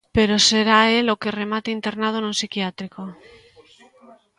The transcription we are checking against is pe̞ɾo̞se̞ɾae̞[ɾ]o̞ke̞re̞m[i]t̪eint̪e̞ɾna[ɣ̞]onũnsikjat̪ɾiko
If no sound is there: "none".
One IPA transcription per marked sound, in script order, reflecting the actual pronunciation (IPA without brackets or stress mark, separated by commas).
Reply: l, a, ð̞